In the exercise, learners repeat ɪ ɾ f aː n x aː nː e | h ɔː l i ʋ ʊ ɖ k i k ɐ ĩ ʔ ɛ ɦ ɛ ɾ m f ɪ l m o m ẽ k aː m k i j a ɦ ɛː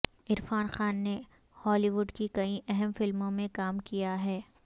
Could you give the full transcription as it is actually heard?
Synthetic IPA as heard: ɪ ɾ f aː n x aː nː e | h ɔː l i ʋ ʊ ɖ k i k ɐ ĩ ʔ ɛ ɦ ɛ m f ɪ l m õ m ẽ k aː m k i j a ɦ ɛː